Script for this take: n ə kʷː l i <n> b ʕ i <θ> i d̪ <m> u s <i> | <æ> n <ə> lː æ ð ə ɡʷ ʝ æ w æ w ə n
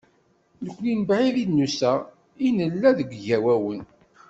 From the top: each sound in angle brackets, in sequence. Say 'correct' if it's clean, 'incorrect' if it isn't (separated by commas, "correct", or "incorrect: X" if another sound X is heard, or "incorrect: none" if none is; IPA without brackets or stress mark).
correct, incorrect: ð, incorrect: n, incorrect: æ, incorrect: i, correct